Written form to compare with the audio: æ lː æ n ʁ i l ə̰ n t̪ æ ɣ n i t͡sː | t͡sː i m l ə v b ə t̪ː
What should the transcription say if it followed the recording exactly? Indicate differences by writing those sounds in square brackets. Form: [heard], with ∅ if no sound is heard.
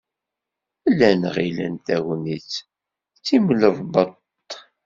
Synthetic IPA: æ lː æ n ʁ i l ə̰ n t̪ æ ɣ n i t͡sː | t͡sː i m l ə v b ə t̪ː